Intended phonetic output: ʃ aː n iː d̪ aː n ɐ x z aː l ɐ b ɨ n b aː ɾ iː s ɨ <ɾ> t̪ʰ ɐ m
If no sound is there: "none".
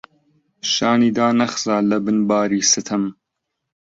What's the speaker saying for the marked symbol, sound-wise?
none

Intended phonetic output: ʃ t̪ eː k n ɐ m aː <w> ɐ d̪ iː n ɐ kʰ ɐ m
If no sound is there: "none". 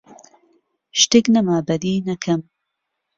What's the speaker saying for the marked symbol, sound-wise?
b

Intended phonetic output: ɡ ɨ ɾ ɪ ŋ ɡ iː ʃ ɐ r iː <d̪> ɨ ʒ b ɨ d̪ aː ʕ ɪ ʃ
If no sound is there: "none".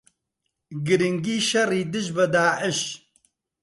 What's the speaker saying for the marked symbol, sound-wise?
d̪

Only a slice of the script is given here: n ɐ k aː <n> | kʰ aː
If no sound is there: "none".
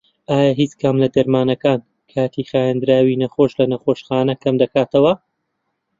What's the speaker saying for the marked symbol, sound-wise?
n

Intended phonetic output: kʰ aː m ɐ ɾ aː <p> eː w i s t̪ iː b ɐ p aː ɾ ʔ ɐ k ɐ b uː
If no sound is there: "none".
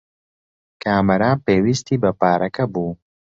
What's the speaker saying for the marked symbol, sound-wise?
p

